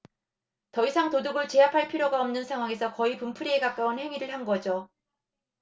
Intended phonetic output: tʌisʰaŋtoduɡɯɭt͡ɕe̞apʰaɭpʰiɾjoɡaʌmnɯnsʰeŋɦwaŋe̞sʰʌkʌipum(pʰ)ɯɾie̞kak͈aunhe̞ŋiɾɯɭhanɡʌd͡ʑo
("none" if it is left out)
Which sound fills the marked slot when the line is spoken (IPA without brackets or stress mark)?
pʰ